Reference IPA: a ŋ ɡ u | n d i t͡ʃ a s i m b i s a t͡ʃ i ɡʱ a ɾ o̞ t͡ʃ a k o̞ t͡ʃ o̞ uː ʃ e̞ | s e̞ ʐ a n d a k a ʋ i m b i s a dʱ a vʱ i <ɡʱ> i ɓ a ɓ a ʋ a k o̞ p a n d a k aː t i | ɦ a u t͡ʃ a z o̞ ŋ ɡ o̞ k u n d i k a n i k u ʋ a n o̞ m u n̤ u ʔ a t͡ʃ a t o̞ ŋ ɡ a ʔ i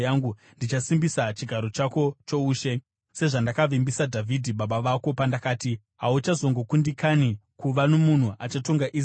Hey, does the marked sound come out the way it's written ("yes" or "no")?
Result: no